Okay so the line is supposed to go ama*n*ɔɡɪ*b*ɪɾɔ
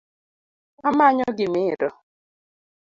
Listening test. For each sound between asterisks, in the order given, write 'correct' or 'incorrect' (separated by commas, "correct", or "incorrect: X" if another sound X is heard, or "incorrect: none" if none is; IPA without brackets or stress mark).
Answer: incorrect: ɲ, incorrect: m